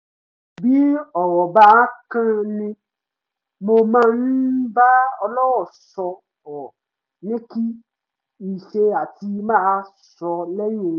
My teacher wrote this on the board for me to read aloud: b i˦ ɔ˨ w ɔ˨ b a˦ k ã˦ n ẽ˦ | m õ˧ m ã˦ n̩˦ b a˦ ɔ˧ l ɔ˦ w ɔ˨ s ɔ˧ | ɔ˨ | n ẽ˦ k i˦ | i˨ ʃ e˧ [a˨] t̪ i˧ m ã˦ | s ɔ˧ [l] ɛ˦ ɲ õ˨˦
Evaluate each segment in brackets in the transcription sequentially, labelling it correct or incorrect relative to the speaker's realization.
correct, correct

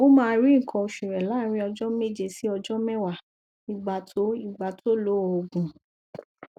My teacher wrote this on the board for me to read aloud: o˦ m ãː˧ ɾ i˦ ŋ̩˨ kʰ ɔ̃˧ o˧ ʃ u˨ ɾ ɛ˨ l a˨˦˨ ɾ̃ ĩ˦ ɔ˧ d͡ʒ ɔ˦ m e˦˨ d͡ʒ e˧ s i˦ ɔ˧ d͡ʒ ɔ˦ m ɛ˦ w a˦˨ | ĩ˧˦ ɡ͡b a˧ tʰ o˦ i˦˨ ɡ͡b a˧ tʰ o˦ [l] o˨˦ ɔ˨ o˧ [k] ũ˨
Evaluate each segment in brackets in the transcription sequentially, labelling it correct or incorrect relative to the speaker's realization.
correct, incorrect: ɡ

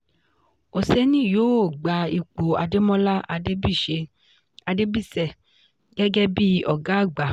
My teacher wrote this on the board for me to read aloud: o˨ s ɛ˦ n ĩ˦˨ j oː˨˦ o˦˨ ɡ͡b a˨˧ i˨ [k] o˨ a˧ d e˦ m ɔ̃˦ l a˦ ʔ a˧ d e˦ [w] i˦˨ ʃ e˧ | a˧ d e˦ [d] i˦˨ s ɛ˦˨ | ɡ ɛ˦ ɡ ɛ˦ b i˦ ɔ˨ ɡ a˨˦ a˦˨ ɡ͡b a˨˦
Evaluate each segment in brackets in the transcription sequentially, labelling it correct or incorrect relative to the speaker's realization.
incorrect: k͡p, incorrect: b, incorrect: b

